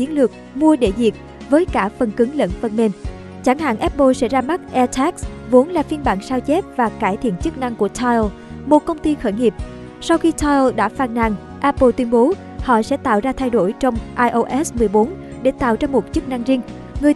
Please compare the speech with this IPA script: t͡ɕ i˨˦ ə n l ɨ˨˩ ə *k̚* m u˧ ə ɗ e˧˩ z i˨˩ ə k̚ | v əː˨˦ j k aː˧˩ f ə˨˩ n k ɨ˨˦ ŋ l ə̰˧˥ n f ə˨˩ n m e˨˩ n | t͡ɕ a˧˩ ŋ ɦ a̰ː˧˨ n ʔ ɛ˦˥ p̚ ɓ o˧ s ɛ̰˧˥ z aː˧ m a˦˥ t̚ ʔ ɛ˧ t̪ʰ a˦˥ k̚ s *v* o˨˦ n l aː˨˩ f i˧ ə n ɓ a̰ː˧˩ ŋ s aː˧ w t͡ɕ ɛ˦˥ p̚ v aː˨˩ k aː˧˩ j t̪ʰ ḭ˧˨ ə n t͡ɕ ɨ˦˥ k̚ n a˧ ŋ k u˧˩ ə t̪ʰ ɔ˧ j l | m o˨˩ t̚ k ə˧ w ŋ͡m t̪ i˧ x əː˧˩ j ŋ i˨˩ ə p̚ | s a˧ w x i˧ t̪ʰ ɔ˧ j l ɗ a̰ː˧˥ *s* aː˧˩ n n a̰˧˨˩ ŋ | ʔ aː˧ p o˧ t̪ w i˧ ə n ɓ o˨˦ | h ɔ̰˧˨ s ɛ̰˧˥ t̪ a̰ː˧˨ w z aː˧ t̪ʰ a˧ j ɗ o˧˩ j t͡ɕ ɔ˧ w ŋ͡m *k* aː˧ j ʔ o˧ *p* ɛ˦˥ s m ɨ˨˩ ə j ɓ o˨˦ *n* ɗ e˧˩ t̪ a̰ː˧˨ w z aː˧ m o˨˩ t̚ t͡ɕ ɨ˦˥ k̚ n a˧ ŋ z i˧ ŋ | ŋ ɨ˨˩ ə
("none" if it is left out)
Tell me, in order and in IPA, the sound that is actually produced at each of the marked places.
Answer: k̚, v, f, ʔ, ʔ, n

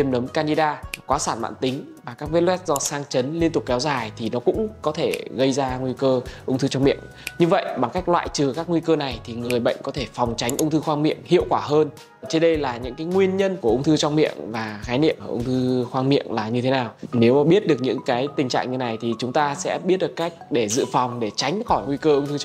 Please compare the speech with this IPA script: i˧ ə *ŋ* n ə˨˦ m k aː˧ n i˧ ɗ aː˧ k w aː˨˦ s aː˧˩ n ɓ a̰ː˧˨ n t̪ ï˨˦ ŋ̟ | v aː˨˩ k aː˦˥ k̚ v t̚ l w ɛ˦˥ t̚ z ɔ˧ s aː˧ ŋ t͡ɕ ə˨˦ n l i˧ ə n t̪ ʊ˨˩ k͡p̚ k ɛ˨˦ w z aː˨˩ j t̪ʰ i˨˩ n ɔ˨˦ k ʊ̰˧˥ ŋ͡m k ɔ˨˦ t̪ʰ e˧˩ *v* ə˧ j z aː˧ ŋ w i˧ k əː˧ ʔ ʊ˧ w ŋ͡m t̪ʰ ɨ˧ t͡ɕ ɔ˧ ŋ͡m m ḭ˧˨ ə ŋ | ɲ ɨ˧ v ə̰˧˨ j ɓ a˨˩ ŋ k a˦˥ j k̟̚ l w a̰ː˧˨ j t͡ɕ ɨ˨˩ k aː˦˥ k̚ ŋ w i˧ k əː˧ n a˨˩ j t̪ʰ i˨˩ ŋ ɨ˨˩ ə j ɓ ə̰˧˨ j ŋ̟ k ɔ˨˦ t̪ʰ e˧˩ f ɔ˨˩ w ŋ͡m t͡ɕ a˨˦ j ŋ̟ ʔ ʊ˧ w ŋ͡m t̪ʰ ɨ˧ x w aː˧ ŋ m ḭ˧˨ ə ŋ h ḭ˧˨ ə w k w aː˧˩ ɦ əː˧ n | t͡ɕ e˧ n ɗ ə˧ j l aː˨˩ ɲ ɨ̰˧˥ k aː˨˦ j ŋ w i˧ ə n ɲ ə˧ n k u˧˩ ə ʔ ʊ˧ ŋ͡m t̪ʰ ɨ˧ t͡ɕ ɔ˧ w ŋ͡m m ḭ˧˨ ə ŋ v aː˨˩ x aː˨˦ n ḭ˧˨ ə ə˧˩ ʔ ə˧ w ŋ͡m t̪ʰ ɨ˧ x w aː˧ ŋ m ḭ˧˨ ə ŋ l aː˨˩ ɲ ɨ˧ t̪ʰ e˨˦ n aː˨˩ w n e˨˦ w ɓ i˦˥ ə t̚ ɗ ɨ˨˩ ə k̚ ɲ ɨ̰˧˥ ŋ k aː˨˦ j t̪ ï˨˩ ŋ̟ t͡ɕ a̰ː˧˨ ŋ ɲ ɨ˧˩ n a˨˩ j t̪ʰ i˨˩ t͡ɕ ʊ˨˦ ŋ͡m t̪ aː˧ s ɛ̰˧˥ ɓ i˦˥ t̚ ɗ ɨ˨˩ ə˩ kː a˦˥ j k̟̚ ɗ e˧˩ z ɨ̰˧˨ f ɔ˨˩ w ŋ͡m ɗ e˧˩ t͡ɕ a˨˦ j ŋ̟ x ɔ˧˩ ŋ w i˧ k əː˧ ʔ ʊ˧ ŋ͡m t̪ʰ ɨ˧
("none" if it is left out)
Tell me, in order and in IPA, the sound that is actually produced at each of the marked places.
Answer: m, ɣ

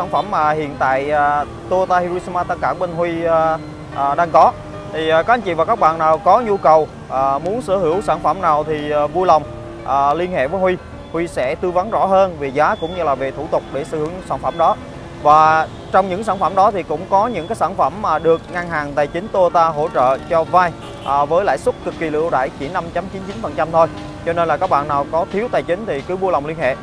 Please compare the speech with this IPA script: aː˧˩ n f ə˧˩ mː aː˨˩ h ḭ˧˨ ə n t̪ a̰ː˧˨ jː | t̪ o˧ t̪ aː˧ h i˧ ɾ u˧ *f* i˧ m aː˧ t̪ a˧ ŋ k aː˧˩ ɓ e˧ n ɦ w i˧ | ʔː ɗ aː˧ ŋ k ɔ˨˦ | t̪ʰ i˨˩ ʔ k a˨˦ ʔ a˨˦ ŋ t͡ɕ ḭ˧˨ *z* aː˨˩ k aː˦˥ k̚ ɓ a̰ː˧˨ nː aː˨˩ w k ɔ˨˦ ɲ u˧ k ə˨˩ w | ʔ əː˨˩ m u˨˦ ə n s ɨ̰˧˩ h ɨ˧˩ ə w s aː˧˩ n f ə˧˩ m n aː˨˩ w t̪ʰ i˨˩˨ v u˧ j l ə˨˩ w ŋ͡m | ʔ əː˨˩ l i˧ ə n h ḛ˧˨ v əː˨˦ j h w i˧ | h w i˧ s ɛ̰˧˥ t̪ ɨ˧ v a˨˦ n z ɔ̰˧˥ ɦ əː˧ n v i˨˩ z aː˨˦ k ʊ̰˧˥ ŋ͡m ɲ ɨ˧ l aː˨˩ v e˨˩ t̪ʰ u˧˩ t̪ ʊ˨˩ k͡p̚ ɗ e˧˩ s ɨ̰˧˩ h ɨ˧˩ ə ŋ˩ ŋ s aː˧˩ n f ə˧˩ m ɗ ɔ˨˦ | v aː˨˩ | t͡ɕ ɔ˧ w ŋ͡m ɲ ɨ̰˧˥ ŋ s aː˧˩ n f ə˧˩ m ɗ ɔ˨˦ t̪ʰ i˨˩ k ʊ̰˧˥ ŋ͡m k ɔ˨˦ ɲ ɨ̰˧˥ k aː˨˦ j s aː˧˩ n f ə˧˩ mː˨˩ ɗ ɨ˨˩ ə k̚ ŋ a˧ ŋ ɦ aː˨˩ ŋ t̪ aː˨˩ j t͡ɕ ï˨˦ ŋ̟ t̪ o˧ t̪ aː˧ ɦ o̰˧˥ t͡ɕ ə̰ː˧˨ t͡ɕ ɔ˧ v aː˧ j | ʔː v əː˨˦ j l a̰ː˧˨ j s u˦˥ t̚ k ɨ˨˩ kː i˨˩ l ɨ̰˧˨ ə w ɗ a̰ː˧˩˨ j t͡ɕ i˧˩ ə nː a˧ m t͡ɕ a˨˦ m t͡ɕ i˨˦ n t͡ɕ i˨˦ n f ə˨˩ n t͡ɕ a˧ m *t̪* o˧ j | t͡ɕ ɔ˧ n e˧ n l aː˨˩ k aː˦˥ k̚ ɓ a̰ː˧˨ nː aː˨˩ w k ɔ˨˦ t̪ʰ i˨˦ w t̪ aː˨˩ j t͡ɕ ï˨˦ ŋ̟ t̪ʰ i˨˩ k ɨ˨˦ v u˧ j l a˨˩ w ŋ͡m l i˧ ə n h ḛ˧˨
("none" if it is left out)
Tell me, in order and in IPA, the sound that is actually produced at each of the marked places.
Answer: s, v, t̪ʰ

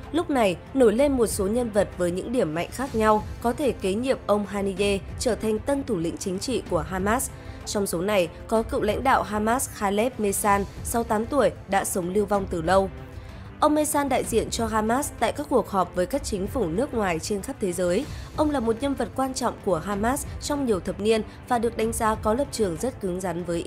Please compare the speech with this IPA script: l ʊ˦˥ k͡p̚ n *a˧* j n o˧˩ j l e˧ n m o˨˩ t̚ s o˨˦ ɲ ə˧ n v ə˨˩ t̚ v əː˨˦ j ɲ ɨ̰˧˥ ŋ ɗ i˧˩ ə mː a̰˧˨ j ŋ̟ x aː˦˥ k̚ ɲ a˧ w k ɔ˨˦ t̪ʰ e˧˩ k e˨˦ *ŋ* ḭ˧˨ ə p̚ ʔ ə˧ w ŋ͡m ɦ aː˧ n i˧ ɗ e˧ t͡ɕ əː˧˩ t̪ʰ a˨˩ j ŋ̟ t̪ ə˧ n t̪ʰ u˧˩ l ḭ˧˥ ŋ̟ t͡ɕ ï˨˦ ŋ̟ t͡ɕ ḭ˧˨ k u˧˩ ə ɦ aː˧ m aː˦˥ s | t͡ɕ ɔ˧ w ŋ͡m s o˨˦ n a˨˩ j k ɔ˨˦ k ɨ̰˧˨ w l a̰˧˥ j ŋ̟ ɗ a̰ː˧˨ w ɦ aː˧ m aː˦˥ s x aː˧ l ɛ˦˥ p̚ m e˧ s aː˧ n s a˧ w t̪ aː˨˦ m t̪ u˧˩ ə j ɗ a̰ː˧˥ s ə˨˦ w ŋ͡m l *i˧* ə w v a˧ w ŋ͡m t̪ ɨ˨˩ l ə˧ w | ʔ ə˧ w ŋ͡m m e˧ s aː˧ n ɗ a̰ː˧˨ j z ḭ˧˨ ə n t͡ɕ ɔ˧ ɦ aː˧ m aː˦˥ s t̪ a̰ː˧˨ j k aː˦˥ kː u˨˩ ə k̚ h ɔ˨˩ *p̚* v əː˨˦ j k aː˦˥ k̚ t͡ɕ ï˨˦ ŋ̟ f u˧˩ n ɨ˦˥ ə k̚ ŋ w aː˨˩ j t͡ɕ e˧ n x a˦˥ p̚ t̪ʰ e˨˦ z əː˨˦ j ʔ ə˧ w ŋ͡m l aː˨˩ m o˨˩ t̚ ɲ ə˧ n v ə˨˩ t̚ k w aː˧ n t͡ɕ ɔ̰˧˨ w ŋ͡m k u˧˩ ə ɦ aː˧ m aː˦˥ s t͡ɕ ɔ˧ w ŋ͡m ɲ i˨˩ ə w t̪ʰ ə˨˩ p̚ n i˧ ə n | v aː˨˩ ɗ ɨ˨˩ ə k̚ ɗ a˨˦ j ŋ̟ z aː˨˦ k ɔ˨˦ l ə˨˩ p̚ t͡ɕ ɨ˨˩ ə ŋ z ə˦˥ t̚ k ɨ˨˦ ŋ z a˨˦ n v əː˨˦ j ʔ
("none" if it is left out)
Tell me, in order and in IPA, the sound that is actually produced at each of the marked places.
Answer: a˨˩, ɲ, i˧, p̚

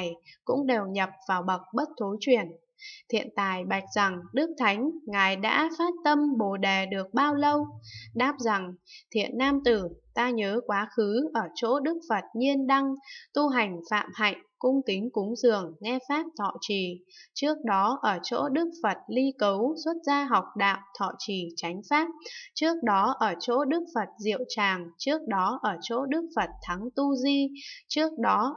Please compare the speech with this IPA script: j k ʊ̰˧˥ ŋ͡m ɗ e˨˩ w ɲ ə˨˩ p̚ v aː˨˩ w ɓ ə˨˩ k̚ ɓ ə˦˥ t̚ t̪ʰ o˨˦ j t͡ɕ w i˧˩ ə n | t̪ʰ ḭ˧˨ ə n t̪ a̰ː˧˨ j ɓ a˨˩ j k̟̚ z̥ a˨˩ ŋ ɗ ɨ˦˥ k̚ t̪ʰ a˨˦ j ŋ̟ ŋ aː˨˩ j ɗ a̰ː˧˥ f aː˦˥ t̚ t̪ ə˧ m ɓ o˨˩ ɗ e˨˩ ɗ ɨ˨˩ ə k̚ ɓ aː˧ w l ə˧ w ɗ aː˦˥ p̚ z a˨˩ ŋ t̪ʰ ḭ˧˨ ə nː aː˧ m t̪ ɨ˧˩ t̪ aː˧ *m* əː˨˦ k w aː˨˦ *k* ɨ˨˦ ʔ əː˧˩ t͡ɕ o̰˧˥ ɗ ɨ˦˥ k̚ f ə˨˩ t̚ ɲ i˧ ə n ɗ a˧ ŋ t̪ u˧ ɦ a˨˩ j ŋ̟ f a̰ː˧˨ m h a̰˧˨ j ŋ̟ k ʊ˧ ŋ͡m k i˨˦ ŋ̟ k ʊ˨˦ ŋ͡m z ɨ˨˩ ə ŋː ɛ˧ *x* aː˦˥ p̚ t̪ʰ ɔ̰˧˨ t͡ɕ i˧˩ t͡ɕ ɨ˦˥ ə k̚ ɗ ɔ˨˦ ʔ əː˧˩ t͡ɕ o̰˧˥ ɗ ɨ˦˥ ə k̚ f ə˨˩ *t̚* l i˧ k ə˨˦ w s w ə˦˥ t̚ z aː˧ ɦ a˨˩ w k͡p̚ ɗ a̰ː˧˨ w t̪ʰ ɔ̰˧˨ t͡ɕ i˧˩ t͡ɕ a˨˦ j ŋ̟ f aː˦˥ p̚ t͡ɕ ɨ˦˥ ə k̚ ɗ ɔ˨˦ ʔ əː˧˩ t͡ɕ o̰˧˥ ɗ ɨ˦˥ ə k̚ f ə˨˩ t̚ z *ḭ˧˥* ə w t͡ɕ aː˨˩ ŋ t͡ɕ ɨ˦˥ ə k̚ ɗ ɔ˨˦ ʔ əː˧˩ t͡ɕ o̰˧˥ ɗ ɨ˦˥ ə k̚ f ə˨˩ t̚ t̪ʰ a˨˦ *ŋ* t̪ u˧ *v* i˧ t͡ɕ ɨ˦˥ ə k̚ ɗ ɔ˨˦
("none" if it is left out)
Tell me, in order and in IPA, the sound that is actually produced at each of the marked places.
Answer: ɲ, x, f, t̚, ḭ˧˨, ŋ, z

